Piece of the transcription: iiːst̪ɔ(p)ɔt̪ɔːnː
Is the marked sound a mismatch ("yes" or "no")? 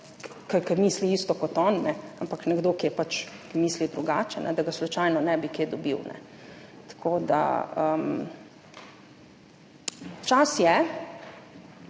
yes